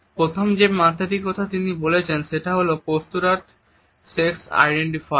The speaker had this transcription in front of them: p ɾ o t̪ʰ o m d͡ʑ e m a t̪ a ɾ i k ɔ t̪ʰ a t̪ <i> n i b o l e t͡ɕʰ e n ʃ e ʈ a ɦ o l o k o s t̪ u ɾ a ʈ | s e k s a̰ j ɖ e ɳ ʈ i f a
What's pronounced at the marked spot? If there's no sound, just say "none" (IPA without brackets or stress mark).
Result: i